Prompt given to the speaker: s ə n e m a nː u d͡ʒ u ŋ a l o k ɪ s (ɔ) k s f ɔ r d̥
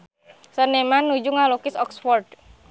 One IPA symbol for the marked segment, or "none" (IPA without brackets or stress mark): ɔ